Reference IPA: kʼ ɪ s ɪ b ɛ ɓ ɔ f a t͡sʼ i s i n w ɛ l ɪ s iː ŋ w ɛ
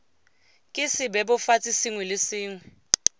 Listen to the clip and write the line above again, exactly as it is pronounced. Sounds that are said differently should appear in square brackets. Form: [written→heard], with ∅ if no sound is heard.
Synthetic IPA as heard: kʼ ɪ s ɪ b ɛ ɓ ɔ f a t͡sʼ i s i [n→ŋ] w ɛ l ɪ s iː ŋ w ɛ